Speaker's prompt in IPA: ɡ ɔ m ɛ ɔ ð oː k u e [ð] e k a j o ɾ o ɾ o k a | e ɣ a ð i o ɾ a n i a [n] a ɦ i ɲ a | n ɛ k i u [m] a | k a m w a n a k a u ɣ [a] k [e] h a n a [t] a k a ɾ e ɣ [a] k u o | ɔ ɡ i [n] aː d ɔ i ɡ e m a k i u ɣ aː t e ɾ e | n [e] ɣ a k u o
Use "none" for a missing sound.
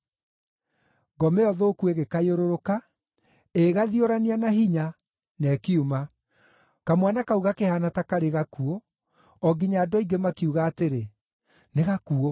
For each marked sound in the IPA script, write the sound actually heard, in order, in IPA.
ɣ, n, m, a, e, t, a, ɲ, e

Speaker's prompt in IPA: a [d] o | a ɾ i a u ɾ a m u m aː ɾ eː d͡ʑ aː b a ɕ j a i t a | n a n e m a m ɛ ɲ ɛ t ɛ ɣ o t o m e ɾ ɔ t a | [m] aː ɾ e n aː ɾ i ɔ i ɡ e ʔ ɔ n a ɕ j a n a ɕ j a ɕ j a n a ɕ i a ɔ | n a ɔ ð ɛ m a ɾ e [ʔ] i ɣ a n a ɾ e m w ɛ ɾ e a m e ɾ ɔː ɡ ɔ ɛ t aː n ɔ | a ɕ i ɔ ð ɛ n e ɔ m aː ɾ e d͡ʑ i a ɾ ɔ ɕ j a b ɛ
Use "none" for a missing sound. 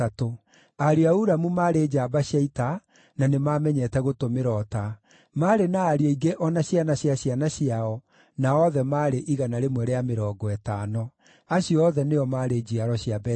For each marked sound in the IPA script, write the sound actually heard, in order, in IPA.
t, m, ʔ

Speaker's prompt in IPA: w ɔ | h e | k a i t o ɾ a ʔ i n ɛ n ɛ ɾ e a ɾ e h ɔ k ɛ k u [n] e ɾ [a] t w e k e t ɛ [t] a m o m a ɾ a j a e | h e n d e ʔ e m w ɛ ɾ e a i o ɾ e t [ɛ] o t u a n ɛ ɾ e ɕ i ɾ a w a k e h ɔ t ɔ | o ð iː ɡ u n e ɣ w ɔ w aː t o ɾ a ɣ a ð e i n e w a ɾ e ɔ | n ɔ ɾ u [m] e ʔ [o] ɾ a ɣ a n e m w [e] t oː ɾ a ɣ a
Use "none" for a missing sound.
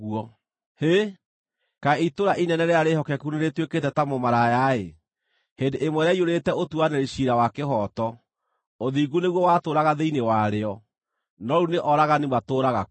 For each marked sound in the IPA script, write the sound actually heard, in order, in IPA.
n, e, t, ɛ, n, ɔ, a

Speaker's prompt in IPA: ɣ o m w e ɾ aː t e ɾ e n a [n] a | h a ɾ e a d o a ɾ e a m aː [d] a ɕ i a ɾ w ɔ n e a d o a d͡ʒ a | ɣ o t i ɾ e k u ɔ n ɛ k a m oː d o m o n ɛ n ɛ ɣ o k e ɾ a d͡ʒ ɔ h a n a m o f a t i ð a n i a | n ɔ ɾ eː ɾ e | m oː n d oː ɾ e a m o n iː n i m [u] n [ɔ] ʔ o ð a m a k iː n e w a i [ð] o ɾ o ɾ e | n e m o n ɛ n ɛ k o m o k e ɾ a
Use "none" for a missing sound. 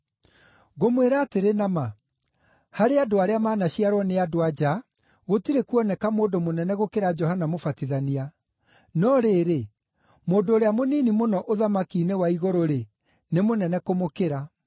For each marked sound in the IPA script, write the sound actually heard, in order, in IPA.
m, n, o, ɔ, ɣ

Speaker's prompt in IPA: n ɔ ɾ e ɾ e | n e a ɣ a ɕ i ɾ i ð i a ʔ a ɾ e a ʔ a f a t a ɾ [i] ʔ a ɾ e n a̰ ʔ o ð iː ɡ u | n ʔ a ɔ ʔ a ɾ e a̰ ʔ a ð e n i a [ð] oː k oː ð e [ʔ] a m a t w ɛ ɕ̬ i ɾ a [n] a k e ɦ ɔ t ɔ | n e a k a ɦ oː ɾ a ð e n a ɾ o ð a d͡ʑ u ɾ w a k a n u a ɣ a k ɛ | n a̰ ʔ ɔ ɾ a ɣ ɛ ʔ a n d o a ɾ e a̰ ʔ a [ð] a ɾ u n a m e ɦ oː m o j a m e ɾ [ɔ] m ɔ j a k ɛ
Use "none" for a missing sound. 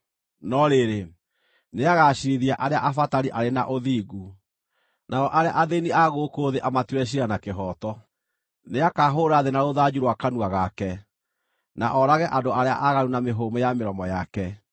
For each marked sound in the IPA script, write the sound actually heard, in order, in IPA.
i, ɣ, ʔ, n, ɣ, ɔ

